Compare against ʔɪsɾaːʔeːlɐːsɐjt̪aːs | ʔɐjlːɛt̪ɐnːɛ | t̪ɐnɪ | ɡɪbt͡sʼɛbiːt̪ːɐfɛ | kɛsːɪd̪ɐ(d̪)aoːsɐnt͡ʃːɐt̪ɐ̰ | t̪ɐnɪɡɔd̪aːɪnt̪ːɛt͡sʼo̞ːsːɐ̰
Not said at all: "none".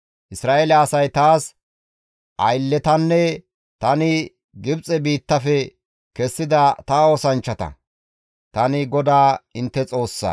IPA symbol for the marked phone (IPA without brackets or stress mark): t̪